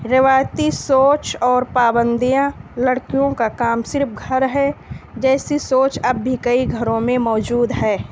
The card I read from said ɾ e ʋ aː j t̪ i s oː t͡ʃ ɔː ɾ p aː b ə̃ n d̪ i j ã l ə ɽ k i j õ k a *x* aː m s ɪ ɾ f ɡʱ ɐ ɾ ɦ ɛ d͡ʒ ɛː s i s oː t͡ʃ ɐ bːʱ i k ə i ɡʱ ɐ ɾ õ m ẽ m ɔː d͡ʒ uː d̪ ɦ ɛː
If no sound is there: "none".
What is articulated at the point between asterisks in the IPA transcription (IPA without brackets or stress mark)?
k